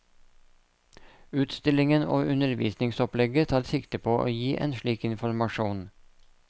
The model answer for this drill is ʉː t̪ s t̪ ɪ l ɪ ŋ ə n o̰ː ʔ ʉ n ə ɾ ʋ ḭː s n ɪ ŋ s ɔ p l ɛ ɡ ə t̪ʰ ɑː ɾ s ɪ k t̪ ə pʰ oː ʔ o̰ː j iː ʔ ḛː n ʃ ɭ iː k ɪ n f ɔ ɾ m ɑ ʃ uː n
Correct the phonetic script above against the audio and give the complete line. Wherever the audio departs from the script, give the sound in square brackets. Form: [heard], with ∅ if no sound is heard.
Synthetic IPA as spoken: ʉː t̪ s t̪ ɪ l ɪ ŋ ə n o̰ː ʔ ʉ n ə ɾ ʋ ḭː s n ɪ ŋ s ɔ p l ɛ ɡ ə t̪ʰ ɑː ɾ s ɪ k t̪ ə pʰ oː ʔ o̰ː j iː ʔ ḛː n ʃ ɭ iː k ɪ n f ɔ ɾ m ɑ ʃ uː n